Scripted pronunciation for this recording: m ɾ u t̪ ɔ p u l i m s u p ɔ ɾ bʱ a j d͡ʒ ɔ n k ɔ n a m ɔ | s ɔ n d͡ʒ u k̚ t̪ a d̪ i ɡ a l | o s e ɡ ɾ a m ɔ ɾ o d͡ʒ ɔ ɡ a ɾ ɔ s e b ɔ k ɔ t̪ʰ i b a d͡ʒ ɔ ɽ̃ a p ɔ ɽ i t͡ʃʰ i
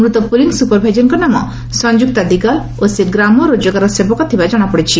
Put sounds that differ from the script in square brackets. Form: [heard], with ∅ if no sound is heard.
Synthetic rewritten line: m ɾ u t̪ ɔ p u l i [ŋ] s u p ɔ ɾ bʱ a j d͡ʒ ɔ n k ɔ n a m ɔ | s ɔ n d͡ʒ u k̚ t̪ a d̪ i ɡ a l | o s e ɡ ɾ a m ɔ ɾ o d͡ʒ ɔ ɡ a ɾ ɔ s e b ɔ k ɔ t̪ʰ i b a d͡ʒ ɔ ɽ̃ a p ɔ ɽ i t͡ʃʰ i